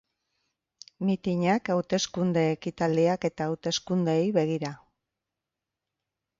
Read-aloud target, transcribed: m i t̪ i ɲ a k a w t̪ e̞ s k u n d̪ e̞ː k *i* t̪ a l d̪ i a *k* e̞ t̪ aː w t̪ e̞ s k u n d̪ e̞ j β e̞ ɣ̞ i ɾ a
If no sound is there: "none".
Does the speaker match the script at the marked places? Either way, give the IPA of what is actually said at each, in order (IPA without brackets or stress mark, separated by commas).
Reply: i, k